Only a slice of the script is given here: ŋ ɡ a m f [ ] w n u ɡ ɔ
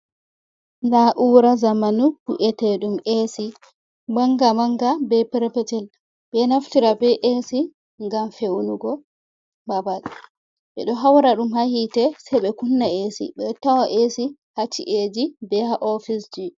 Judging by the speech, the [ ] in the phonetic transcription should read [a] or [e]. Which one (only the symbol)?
e